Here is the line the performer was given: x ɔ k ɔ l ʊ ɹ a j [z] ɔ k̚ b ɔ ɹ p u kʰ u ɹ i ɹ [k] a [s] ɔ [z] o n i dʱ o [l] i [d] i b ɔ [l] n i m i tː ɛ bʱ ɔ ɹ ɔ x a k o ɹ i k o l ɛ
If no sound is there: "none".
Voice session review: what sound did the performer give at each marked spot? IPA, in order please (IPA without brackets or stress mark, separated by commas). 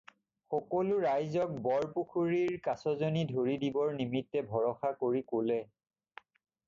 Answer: z, k, s, z, ɹ, d, ɹ